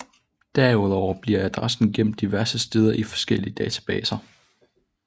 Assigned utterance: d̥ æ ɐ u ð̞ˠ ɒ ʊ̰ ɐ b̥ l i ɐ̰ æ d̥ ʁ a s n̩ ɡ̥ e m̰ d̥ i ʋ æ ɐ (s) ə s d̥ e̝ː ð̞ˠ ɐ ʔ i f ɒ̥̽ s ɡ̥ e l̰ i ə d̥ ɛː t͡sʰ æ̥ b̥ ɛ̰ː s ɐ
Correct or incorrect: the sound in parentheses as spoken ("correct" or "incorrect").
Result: correct